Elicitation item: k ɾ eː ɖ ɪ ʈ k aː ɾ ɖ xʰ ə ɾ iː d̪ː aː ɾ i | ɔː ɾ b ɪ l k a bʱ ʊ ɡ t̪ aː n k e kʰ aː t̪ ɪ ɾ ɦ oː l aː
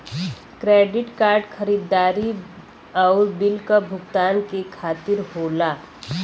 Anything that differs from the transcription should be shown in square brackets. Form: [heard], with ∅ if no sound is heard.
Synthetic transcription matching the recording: k ɾ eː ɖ ɪ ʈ k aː ɾ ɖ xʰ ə ɾ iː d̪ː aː ɾ i | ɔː ɾ b ɪ l k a bʱ ʊ ɡ t̪ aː n k e kʰ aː t̪ ɪ ɾ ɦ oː l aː